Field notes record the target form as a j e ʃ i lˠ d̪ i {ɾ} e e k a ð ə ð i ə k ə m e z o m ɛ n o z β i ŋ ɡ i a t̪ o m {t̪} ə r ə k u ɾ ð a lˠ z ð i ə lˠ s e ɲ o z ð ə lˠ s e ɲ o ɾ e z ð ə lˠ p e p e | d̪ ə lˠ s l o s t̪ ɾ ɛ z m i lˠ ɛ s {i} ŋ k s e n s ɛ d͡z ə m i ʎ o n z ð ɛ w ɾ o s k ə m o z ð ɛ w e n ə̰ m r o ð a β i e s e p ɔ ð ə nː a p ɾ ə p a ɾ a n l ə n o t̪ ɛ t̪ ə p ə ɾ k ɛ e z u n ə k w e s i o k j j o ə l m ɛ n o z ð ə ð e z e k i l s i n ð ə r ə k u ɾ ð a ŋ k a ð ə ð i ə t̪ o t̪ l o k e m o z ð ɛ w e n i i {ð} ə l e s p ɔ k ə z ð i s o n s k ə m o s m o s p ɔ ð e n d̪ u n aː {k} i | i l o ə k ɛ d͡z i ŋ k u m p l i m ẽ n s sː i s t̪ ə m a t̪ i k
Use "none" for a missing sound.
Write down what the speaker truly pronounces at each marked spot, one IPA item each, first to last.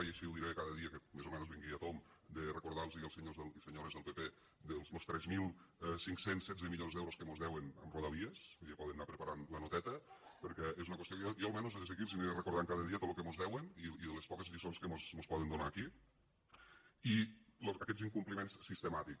ɾ, d̪, i, ð, k

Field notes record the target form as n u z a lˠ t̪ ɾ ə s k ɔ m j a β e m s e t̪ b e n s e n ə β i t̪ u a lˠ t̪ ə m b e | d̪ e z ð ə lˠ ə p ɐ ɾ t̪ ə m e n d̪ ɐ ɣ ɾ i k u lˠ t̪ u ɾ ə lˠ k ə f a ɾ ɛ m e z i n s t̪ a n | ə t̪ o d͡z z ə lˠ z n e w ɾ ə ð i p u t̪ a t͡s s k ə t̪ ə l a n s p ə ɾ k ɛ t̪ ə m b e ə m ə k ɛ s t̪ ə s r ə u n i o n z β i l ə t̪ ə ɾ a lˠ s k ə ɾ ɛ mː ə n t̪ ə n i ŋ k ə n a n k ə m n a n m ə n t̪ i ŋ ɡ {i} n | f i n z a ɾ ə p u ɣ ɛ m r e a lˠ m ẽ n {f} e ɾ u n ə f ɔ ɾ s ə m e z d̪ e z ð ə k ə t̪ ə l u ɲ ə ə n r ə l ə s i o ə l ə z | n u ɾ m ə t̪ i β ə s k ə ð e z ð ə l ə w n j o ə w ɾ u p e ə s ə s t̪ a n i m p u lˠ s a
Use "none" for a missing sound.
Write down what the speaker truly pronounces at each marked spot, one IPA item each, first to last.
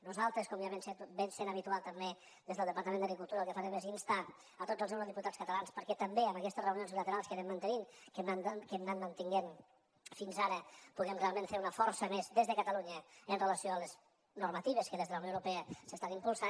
e, f

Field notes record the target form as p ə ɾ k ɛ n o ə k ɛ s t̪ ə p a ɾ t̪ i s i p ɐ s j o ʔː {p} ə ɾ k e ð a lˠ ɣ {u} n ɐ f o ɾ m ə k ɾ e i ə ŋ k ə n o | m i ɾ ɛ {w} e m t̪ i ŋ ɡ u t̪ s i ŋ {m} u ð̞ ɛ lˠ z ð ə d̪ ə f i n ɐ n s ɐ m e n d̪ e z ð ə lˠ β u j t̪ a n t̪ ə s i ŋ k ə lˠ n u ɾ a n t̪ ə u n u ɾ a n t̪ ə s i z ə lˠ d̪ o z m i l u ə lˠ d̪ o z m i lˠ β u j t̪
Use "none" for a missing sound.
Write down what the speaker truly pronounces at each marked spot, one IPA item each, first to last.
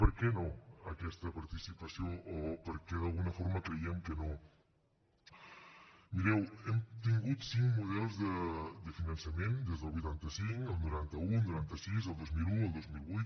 p, u, w, m

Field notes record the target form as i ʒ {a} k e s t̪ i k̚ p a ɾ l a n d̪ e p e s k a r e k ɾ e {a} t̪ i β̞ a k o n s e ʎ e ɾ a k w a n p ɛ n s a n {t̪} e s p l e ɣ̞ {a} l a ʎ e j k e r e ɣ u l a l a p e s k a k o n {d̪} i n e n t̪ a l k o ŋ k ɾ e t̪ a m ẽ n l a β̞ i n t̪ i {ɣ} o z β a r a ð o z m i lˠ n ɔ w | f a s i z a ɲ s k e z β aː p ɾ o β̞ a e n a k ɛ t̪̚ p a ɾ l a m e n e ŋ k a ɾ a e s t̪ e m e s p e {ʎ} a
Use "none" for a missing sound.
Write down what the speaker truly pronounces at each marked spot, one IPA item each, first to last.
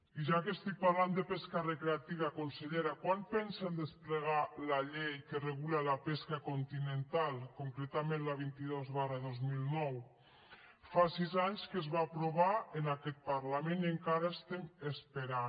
a, a, d̪, a, t̪, ð, ɾ

